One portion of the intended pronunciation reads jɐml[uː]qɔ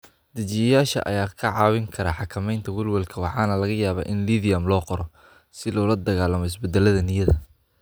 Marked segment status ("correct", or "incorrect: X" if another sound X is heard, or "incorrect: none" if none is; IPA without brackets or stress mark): incorrect: ɔː